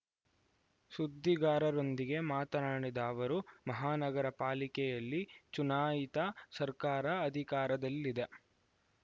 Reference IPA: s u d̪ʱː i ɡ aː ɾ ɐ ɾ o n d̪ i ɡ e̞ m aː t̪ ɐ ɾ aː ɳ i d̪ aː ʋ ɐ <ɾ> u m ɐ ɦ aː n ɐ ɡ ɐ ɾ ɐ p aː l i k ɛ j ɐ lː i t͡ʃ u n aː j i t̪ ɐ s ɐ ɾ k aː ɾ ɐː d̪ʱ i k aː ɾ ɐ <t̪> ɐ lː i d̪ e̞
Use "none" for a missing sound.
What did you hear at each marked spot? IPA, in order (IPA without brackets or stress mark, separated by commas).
ɾ, d̪